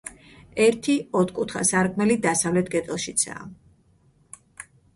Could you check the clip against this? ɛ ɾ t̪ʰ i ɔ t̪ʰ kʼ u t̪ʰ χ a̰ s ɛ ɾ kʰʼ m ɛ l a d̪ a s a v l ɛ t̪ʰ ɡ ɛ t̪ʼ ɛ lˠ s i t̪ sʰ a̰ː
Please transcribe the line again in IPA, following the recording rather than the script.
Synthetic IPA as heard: ɛ ɾ t̪ʰ i ɔ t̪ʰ kʼ u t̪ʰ χ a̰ s a ɾ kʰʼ m ɛ l i d̪ a s a v l ɛ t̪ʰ ɡ ɛ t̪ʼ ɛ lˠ ʃ i t̪ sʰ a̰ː